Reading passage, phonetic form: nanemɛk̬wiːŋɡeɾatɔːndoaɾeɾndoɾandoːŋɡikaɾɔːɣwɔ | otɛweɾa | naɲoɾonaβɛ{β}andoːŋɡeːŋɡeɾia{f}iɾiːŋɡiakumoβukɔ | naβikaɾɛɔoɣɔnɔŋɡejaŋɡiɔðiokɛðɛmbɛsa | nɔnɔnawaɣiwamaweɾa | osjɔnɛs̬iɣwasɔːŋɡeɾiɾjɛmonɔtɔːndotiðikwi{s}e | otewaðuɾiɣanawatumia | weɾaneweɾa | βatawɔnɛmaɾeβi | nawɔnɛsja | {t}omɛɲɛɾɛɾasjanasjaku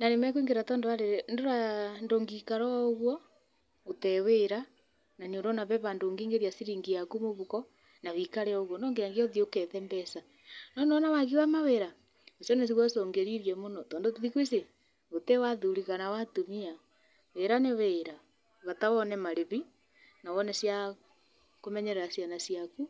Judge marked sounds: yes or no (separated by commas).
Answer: yes, no, yes, no